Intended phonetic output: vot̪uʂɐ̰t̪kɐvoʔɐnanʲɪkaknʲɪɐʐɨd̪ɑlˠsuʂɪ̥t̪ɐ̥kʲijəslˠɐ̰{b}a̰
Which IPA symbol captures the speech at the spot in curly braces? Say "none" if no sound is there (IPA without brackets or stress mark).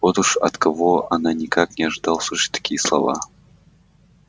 v